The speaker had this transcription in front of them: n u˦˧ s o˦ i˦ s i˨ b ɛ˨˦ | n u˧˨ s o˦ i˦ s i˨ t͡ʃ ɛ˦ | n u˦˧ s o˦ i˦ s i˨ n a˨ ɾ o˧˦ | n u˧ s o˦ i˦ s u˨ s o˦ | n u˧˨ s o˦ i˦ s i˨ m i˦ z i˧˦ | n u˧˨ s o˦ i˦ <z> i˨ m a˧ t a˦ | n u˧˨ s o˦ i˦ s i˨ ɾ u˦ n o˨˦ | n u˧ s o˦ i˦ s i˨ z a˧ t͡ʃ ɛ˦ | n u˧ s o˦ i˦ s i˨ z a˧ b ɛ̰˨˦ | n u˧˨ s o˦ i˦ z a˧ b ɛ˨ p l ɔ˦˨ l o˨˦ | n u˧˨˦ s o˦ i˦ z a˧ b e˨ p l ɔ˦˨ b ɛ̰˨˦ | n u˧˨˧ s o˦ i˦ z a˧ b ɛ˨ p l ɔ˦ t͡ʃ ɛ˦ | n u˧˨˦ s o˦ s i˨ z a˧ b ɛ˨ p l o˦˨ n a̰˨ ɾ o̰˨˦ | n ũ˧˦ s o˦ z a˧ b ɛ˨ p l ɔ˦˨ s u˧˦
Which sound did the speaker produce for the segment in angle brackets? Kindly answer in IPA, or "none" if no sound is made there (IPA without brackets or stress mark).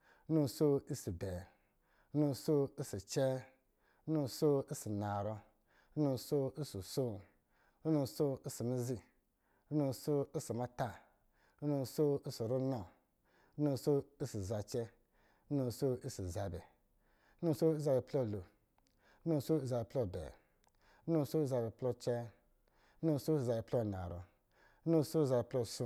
s